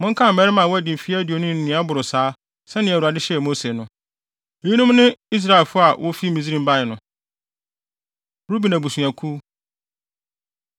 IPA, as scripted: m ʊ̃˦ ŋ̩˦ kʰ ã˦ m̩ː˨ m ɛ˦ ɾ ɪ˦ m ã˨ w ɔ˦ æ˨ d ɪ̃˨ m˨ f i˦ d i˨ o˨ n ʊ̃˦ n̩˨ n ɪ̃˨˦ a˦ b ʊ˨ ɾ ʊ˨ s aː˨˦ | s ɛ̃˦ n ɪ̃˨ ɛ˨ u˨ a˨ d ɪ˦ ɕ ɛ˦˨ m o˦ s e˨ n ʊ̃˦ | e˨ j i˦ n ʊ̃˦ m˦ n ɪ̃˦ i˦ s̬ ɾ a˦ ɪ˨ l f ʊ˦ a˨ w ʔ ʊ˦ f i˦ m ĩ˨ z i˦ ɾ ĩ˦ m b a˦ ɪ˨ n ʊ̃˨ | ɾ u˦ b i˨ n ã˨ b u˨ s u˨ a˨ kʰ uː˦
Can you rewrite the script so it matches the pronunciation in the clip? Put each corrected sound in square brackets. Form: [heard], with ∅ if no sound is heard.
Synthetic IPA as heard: m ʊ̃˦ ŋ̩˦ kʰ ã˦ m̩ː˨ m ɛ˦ ɾ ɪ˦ m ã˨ w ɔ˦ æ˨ d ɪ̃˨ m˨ f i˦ d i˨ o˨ n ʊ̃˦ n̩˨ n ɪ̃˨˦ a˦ b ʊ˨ ɾ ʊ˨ s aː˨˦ | s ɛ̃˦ n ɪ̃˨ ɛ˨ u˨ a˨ d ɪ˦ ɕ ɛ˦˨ m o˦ s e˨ n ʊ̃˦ | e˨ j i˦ n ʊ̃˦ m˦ n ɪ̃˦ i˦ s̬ ɾ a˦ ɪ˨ l f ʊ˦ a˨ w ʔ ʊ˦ f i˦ m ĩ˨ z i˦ ɾ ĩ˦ m b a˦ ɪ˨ n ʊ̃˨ | ɾ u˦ b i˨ n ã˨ b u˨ s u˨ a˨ kʰ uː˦